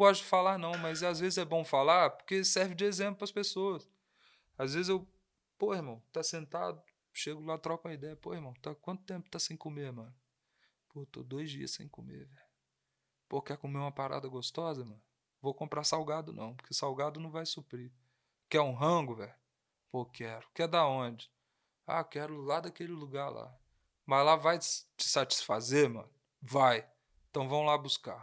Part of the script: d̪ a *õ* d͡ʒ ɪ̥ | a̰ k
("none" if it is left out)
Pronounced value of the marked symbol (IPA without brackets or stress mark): õ